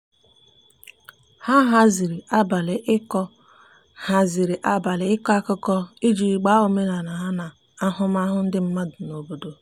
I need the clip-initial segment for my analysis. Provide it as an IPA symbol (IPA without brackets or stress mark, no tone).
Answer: h